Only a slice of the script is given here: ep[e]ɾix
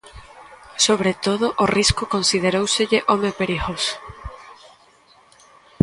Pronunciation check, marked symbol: correct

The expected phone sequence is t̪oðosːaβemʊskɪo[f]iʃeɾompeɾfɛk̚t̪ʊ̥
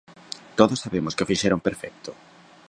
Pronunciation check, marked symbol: correct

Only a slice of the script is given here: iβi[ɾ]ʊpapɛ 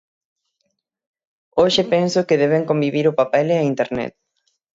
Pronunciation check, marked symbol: correct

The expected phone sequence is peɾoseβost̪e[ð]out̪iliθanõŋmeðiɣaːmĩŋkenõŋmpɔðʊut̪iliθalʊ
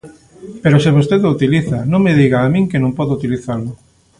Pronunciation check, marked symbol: correct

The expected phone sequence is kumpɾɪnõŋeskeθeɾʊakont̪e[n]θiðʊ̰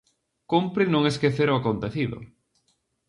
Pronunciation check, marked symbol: incorrect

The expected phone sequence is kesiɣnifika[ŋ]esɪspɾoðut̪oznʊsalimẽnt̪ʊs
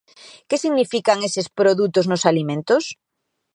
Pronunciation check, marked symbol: correct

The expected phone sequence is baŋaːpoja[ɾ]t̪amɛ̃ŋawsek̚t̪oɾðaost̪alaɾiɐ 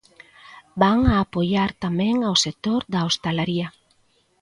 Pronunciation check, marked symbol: correct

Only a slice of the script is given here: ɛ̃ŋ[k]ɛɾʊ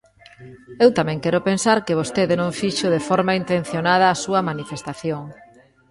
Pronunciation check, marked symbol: correct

